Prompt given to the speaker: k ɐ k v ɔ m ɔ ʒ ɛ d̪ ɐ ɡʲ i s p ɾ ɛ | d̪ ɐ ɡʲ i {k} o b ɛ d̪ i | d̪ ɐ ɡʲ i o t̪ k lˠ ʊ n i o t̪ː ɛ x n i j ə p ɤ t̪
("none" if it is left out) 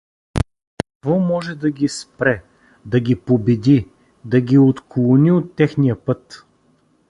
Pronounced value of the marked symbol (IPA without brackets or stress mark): p